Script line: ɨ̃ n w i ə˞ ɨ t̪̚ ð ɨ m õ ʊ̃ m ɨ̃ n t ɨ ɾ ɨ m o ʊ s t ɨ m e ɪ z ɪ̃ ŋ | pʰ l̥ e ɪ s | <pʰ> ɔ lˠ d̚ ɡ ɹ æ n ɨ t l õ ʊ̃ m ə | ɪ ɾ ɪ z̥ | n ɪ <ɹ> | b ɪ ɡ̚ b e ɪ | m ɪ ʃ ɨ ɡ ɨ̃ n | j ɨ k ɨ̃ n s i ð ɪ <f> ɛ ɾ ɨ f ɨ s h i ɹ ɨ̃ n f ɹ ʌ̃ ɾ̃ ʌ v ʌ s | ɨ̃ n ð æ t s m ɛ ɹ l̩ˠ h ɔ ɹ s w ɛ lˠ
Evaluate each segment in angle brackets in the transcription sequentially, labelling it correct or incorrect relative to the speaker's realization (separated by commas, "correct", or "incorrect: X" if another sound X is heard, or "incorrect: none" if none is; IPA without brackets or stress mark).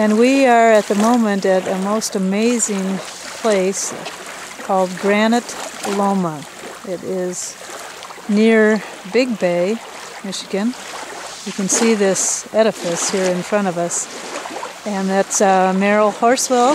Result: incorrect: kʰ, correct, incorrect: s